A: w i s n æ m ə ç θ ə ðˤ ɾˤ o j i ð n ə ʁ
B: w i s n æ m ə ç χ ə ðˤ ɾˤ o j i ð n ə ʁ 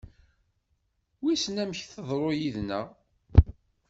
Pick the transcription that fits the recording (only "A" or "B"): A